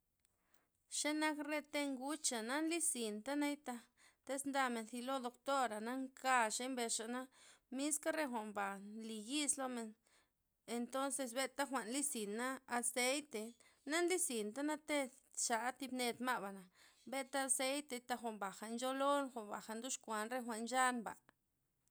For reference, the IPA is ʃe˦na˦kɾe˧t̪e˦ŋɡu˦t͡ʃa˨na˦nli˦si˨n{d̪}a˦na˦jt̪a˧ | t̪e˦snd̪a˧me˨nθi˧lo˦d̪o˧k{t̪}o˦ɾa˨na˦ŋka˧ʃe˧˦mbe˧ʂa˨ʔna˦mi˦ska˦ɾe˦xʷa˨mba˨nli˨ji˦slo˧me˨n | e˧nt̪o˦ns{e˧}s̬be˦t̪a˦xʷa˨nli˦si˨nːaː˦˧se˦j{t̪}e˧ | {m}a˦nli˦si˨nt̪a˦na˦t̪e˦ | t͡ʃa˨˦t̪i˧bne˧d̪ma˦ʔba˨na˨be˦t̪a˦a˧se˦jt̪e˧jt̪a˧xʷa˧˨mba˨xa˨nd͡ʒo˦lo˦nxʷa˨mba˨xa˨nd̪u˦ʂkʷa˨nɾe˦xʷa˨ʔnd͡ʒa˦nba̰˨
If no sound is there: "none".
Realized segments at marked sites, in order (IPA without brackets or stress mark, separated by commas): t̪, t̪, e˧, t̪, n